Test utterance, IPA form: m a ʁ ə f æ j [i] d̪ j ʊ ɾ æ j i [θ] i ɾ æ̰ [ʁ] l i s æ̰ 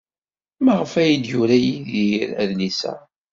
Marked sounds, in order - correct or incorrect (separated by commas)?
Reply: correct, incorrect, incorrect